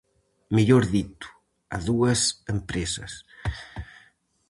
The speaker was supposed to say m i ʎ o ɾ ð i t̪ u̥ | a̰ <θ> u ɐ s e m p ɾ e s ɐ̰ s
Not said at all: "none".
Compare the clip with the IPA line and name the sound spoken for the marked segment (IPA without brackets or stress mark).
ð